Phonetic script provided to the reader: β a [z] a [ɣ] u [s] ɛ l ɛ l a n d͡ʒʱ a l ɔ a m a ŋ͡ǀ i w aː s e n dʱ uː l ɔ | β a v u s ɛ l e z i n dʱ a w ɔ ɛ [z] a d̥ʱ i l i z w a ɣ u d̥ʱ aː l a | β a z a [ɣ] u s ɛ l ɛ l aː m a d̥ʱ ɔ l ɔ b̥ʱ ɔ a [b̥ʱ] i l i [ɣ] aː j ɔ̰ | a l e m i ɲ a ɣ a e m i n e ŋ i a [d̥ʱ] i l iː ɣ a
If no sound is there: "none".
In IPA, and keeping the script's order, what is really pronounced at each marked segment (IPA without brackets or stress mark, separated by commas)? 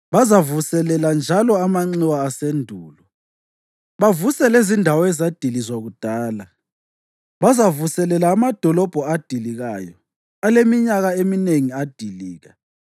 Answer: z, v, s, z, v, d̥ʱ, ɣ, d̥ʱ